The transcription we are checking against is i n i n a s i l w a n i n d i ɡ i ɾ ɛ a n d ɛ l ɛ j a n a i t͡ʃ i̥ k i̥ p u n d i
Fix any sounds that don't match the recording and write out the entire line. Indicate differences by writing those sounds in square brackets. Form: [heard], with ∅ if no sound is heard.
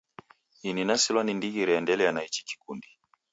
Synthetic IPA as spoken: i n i n a s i l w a n i n d i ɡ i ɾ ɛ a n d ɛ l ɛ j a n a i t͡ʃ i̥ k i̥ [k] u n d i